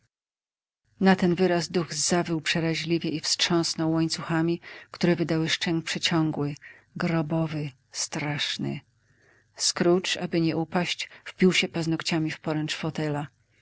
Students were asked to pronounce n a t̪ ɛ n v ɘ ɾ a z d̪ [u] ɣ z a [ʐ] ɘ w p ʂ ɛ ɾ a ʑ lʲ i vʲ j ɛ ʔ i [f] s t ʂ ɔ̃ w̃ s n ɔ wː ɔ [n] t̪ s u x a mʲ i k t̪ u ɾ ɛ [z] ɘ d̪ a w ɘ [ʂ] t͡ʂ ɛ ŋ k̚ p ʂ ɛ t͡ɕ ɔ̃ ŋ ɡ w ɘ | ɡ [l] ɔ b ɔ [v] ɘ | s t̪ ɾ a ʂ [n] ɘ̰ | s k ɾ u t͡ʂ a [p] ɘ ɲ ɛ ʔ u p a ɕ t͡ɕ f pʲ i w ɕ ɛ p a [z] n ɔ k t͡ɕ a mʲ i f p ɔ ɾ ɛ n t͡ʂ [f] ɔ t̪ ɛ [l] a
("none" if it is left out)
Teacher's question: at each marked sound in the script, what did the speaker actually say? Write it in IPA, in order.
u, v, f, ɲ, v, ʂ, ɾ, v, n, b, z, f, l

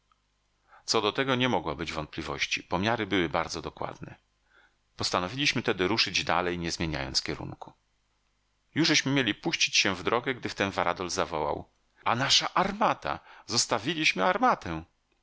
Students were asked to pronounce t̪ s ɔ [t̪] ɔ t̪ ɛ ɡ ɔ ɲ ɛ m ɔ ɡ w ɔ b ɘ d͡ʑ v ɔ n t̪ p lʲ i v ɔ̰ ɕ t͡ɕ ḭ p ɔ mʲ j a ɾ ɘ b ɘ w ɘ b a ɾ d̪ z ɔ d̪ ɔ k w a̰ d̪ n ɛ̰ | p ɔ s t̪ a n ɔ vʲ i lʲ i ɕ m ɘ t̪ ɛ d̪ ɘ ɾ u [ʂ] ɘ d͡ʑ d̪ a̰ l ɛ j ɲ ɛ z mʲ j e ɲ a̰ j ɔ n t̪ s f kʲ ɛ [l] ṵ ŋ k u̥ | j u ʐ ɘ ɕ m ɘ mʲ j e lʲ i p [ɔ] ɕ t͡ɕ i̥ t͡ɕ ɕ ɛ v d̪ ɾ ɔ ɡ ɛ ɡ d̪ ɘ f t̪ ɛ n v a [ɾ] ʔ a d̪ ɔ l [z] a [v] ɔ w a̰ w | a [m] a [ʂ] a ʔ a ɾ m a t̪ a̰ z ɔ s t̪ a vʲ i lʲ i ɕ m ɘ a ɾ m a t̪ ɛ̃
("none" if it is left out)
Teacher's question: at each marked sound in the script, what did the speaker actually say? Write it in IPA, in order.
d̪, ʂ, ɾ, u, ɾ, z, v, n, ʂ

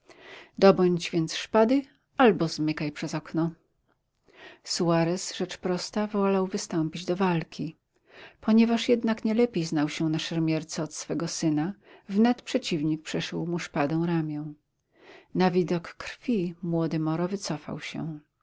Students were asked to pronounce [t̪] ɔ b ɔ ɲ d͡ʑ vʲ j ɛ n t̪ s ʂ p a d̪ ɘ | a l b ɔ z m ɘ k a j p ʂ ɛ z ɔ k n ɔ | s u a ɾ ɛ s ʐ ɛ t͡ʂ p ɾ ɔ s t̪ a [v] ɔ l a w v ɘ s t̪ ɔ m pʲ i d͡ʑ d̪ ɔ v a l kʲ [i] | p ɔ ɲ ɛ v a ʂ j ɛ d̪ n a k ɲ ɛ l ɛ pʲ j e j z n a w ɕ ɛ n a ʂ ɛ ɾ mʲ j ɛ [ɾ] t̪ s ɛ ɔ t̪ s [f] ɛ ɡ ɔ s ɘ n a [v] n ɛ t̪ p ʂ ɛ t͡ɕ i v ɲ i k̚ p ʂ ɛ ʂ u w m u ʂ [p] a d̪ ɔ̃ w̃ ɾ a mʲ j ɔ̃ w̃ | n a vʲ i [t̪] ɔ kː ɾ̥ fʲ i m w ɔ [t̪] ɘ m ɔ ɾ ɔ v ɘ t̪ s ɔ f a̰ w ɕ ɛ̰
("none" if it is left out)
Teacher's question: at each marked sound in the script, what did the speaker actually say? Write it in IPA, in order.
d̪, v, i, ɾ, f, v, p, d̪, d̪

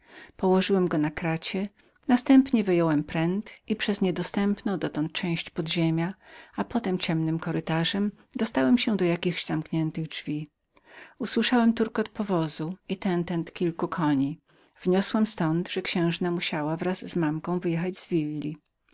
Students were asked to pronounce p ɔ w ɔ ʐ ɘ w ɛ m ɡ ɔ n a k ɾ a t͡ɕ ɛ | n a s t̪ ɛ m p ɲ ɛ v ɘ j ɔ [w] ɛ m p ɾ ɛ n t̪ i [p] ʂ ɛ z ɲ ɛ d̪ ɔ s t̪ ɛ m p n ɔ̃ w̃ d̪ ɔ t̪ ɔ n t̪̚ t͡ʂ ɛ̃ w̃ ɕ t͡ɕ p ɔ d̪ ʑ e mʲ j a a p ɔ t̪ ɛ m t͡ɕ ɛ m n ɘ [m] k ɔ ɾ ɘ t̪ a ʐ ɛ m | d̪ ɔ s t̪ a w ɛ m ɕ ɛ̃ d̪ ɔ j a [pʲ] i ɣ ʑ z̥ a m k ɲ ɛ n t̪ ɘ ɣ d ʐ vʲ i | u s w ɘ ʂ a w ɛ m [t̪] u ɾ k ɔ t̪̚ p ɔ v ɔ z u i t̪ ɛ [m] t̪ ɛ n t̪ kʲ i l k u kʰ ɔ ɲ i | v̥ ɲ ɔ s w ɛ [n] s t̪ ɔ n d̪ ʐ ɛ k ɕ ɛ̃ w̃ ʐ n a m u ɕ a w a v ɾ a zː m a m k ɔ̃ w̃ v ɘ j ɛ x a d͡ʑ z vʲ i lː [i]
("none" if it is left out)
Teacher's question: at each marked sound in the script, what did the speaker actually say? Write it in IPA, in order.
w, p, m, kʲ, t̪, n, m, i

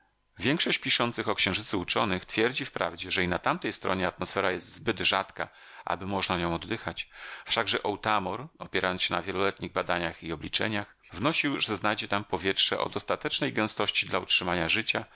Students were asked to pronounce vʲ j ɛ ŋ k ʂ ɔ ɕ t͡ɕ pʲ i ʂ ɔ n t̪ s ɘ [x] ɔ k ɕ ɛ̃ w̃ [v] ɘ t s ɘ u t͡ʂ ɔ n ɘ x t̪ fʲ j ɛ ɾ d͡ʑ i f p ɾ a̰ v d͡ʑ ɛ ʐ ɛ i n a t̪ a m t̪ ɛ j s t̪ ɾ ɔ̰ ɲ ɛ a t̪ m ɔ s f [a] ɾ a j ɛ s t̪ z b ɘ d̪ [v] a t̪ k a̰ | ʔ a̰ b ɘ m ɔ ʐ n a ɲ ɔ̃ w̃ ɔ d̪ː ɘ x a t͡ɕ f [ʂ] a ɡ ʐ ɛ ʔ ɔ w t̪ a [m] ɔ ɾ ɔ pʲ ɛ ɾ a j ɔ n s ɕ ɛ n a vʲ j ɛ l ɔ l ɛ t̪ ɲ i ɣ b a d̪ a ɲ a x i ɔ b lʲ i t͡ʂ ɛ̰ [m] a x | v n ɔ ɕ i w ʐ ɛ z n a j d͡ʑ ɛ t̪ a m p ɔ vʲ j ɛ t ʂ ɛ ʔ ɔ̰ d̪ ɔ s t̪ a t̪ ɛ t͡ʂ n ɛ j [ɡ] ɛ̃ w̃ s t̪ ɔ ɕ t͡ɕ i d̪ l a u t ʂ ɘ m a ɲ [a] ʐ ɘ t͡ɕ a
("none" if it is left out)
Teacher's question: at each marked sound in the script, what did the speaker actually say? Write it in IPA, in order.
x, ʐ, ɛ, ʐ, ʂ, m, ɲ, ɡ, a

